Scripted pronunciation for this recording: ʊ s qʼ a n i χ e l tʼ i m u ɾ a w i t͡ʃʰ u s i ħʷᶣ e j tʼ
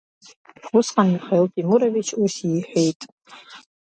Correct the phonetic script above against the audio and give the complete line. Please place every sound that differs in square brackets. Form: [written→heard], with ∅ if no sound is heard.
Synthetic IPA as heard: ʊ s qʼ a n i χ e l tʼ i m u ɾ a [w→v] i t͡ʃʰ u s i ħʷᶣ e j tʼ